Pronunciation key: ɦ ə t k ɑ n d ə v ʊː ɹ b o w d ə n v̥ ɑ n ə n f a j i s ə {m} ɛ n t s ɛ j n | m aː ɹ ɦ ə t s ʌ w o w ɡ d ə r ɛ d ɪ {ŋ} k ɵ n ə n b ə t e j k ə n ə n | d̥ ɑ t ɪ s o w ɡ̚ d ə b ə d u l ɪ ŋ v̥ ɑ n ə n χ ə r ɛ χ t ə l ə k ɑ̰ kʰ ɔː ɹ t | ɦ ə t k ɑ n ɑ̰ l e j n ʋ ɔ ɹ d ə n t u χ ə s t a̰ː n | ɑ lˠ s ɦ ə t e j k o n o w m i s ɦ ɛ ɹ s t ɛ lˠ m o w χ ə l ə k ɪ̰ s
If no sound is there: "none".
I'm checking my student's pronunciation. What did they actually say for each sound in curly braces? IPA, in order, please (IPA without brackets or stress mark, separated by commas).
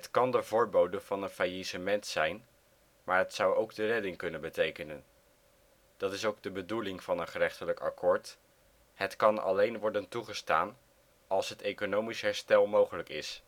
m, ŋ